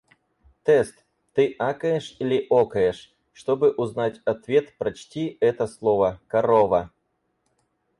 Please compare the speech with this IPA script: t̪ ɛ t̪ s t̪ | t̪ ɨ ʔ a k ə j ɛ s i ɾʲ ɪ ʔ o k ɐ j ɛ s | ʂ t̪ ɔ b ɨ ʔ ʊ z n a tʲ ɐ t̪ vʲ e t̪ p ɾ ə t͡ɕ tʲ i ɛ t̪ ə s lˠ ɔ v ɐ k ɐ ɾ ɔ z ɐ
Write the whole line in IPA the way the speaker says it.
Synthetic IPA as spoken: t̪ ɛ s t̪ | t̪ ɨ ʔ a k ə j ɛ ʂ i lʲ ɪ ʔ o k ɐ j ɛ ʂ | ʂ t̪ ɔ b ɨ ʔ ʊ z n a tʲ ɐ t̪ vʲ e t̪ p ɾ ɐ t͡ɕ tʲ i ɛ t̪ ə s lˠ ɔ v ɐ k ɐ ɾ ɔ v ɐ